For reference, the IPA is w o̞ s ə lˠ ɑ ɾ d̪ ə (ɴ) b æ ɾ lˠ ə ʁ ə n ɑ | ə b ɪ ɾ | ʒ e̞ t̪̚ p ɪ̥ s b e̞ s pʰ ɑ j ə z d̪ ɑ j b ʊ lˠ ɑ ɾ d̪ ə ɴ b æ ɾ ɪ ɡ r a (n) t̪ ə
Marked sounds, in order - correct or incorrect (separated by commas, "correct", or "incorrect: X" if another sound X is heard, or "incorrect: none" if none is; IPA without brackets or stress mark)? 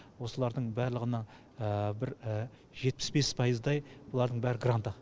correct, correct